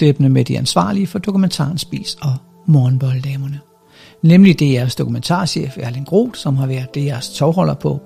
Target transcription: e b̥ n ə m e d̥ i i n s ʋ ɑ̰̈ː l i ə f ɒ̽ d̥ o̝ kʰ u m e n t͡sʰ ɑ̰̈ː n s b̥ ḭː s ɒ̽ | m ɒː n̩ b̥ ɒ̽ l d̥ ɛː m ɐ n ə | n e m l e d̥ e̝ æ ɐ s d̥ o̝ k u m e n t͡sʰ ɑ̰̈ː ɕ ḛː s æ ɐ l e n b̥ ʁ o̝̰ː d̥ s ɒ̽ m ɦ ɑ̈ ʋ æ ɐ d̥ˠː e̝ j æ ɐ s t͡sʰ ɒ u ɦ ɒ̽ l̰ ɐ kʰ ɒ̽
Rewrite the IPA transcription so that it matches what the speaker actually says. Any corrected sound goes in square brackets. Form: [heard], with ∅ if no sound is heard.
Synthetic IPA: e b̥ n ə m e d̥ i [æ] n s ʋ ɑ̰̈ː l i ə f ɒ̽ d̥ o̝ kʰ u m e n t͡sʰ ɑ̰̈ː n s b̥ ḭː s ɒ̽ | m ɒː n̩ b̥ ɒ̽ l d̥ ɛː m ɐ n ə | n e m l [i] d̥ e̝ æ ɐ s d̥ o̝ k u m e n t͡sʰ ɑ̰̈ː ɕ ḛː [f] æ ɐ l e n [ɡ̥] ʁ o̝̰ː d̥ s ɒ̽ m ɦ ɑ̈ ʋ æ ɐ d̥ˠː e̝ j æ ɐ s t͡sʰ ɒ [ʊ] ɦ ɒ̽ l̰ ɐ [pʰ] ɒ̽